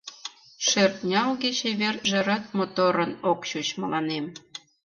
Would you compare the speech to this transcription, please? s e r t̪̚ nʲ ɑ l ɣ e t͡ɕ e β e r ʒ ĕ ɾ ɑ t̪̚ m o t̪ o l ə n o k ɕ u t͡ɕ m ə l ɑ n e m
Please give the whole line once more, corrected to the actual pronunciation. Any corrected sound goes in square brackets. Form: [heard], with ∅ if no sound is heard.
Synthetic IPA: [ʃ] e r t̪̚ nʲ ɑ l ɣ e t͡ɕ e β e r ʒ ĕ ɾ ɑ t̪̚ m o t̪ o [ɾ] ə n o k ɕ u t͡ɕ m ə l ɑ n e m